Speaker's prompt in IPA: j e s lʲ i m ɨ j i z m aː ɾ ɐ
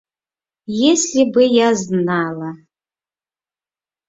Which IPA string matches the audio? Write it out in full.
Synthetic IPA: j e s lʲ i b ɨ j a z n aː l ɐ

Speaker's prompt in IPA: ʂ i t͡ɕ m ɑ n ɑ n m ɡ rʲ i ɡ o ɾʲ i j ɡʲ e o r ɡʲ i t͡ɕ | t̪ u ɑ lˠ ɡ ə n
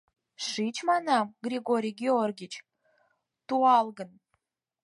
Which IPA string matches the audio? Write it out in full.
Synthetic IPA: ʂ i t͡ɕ m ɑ n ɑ m ɡ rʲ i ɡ o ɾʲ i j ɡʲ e o r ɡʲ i t͡ɕ | t̪ u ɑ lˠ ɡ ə n

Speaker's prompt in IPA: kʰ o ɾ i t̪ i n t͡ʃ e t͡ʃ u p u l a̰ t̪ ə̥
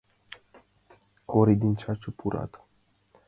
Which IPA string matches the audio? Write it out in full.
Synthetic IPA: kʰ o ɾ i d̪ i n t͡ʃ a t͡ʃ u p u ɾ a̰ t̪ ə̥

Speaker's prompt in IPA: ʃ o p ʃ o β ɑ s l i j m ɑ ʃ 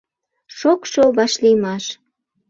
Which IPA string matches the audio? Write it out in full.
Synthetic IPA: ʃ o k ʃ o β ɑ ʃ l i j m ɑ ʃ

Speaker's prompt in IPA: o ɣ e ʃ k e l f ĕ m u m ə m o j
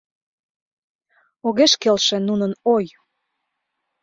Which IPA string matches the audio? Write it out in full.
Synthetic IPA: o ɣ e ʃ k e l ʃ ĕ n u n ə n o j

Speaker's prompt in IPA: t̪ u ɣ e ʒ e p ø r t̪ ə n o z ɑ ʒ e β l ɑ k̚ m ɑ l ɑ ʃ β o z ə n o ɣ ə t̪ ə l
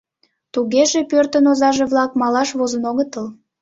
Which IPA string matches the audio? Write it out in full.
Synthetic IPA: t̪ u ɣ e ʒ e p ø r t̪ ə n o z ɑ ʒ e β l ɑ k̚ m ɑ l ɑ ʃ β o z ə n o ɣ ə t̪ ə l

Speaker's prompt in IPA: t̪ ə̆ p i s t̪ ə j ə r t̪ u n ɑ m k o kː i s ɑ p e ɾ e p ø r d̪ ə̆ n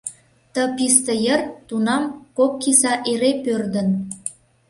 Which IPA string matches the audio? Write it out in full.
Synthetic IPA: t̪ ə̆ p i s t̪ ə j ə r t̪ u n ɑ m k o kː i s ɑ ʔ e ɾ e p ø r d̪ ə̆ n

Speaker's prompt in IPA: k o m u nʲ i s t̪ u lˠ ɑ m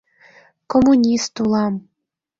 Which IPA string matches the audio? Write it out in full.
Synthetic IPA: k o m u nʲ i s t̪ u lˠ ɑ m

